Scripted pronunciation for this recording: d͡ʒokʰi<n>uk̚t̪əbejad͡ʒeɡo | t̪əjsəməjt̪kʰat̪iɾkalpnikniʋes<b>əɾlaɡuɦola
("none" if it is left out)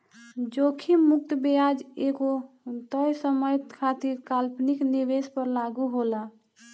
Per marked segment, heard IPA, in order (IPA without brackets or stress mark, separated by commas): m, p